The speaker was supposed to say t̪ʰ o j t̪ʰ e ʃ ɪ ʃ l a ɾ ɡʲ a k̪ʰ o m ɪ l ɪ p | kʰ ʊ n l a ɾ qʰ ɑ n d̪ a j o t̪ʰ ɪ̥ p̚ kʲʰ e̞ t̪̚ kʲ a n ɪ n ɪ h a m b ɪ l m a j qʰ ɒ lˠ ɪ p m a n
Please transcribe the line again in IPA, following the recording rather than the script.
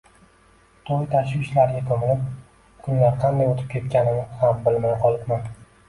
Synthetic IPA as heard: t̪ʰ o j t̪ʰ a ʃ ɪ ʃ l a ɾ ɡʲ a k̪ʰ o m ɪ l ɪ p | kʰ ʊ n l a ɾ qʰ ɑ n d̪ a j o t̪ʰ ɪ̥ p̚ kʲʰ e̞ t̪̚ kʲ a n ɪ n ɪ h a m b ɪ l m a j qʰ ɒ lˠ ɪ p m a n